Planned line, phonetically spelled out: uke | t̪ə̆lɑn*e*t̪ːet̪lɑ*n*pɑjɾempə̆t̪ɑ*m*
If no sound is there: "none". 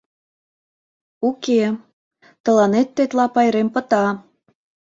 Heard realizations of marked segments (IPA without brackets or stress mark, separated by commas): e, none, none